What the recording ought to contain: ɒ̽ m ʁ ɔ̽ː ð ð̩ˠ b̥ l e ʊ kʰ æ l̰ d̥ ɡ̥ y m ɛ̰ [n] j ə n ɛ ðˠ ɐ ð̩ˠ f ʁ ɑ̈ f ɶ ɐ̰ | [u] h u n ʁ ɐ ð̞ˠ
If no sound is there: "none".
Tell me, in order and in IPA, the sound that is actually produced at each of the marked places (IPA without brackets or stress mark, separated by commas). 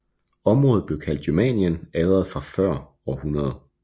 n, ɒ